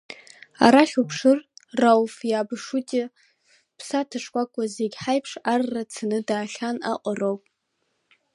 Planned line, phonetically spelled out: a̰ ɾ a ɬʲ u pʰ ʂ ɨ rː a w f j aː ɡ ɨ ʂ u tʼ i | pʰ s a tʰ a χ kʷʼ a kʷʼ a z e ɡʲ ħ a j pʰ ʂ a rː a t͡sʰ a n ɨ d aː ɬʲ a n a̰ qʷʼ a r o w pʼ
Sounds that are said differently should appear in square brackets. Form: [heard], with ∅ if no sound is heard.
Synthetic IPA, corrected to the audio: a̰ ɾ a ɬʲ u pʰ ʂ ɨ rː a w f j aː [b] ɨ ʂ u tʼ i | pʰ s a tʰ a [ʂ] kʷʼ a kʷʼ a z e ɡʲ ħ a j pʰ ʂ a rː a t͡sʰ a n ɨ d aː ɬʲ a n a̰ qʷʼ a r o w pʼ

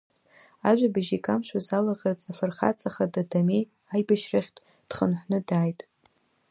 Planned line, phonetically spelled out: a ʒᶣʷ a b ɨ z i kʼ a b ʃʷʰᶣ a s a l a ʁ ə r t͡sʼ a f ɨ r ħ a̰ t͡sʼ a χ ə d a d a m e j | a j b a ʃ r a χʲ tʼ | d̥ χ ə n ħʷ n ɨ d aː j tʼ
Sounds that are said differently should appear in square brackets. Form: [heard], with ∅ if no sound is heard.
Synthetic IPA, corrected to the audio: a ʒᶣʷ a b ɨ [ʒ] i kʼ a [m] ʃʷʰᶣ a [z] a l a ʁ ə r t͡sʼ a f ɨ r [χ] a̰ t͡sʼ a χ [a] d a d a m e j | a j b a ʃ r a χʲ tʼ | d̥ χ ə n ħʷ n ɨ d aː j tʼ

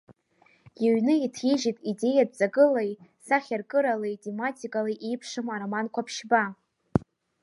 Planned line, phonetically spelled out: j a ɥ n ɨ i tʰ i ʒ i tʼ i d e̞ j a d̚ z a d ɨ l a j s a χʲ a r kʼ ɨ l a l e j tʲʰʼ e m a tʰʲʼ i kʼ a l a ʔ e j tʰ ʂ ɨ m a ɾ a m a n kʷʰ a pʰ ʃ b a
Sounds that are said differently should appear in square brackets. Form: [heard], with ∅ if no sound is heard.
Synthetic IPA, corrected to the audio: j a ɥ n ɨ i tʰ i ʒ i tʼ i d e̞ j a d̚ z a [ɡ] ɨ l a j s a χʲ a r kʼ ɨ [ɾ] a l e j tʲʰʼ e m a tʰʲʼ i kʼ a l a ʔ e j [pʰ] ʂ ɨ m a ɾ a m a n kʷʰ a pʰ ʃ b a

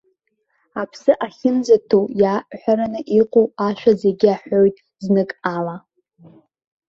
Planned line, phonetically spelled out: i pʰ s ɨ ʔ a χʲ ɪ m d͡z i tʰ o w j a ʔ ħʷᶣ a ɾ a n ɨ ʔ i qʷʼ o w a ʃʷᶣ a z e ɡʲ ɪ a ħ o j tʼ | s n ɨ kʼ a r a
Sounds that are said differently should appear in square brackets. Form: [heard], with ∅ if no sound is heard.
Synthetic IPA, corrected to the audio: [a] pʰ s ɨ ʔ a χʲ ɪ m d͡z [a] tʰ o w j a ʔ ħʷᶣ a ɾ a n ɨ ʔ i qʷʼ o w a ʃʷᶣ a z e ɡʲ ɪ a ħ o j tʼ | [z] n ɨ kʼ a [l] a

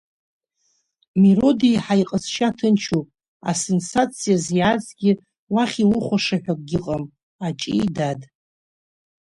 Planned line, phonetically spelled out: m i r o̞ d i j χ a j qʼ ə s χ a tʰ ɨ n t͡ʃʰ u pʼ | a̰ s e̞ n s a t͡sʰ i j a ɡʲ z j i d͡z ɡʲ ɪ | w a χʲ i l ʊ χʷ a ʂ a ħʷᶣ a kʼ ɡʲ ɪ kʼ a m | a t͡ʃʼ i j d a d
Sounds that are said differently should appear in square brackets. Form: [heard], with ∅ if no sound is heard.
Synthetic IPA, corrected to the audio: m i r o̞ d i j [ħ] a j qʼ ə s [ʃ] a tʰ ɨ n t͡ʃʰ u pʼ | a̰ s e̞ n s a t͡sʰ i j a [∅] z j [a] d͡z ɡʲ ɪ | w a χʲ i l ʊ χʷ a ʂ a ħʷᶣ a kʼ ɡʲ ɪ [qʼ] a m | a t͡ʃʼ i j d a d

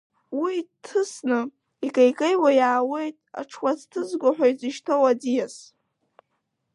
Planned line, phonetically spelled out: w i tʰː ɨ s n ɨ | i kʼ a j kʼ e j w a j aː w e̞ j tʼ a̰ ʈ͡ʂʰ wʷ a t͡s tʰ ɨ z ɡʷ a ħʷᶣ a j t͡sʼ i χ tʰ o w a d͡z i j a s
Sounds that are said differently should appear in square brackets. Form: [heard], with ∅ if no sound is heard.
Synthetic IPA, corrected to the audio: w i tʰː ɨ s n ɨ | i kʼ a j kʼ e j w a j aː w e̞ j tʼ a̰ ʈ͡ʂʰ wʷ a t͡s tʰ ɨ z ɡʷ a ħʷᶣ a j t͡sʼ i [ʃ] tʰ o w a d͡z i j a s

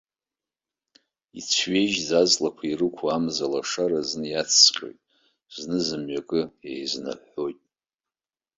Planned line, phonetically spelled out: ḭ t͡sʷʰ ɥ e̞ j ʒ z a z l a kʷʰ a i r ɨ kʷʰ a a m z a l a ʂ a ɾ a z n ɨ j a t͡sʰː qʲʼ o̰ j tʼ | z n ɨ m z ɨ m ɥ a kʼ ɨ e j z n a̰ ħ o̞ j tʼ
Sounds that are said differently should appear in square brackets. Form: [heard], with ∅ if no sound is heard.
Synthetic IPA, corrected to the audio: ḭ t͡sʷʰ ɥ e̞ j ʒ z a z l a kʷʰ a i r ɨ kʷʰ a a m z a l a ʂ a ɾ a z n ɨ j a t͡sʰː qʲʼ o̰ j tʼ | z n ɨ [∅] z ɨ m ɥ a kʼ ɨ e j z n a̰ ħ o̞ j tʼ

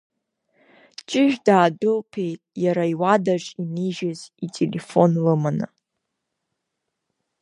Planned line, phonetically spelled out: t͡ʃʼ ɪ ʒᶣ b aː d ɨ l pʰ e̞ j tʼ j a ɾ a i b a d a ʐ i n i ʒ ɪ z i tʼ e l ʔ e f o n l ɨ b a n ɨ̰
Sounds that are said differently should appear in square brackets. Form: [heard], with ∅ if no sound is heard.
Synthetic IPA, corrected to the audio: t͡ʃʼ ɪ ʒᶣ [d] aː d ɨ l pʰ e̞ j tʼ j a ɾ a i [w] a d a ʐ i n i ʒ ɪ z i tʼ e l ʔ e f o n l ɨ [m] a n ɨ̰

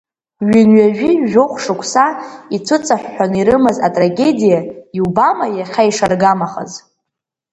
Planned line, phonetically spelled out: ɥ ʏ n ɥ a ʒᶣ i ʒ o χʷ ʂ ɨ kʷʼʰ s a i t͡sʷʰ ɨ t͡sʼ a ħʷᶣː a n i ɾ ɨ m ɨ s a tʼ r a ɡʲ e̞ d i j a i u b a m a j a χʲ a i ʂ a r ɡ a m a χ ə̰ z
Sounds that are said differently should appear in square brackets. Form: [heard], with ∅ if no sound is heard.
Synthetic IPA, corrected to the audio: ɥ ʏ n ɥ a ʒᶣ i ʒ o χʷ ʂ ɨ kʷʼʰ s a i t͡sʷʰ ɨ t͡sʼ a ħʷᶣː a n i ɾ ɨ m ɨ [z] a tʼ r a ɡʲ e̞ d i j a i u b a m a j a χʲ a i ʂ a r ɡ a m a χ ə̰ z

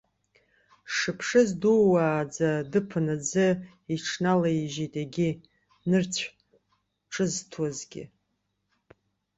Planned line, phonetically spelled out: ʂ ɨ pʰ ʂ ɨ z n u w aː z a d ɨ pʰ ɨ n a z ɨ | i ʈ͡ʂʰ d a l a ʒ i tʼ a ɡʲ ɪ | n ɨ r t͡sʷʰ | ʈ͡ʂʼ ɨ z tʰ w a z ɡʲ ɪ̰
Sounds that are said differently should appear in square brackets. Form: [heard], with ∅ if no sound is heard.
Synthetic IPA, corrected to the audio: ʂ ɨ pʰ ʂ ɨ z [d] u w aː [d͡z] a d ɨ pʰ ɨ n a [d͡z] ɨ | i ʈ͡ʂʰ [n] a l a ʒ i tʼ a ɡʲ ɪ | n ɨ r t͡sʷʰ | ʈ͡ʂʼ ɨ z tʰ w a z ɡʲ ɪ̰

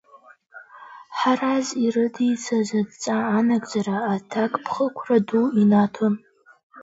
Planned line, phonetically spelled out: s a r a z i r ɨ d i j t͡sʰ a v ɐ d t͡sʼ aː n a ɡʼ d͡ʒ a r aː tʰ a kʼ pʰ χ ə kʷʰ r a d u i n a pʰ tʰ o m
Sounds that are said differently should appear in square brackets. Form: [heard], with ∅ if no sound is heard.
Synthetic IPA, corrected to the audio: [ħ] a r a z i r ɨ d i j t͡sʰ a [z] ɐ d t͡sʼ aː n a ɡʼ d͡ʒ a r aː tʰ a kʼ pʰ χ ə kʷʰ r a d u i n a [∅] tʰ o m

